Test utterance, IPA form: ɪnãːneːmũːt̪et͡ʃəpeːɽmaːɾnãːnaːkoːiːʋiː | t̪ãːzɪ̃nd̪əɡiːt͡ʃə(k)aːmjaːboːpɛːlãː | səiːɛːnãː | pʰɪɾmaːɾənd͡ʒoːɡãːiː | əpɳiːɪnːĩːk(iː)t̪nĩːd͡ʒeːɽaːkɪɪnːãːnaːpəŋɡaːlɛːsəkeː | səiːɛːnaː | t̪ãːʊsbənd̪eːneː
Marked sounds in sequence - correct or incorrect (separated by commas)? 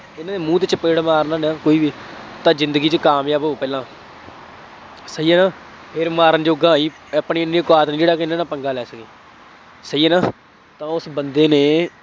correct, incorrect